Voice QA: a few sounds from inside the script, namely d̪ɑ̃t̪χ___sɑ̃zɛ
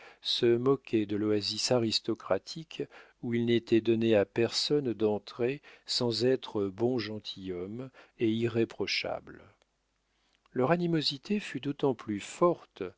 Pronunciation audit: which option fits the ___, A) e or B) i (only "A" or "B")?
A